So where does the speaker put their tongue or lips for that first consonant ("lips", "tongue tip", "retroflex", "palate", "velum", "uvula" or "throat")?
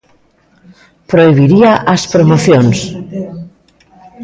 lips